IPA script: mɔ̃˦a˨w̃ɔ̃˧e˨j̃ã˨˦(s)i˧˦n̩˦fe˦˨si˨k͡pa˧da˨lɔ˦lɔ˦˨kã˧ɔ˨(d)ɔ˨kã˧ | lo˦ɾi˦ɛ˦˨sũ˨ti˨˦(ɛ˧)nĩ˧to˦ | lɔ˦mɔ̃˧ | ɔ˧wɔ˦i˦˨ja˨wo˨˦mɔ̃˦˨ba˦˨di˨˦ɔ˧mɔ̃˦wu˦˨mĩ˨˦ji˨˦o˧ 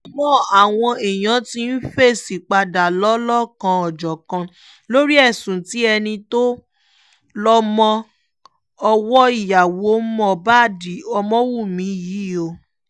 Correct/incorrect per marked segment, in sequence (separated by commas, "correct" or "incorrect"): incorrect, incorrect, correct